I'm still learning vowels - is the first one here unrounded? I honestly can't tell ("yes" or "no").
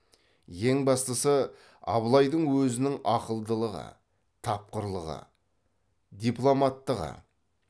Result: yes